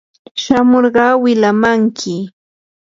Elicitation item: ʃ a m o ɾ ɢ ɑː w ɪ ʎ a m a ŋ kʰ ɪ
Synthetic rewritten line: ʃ a m o ɾ ɢ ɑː w ɪ l a m a ŋ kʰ ɪ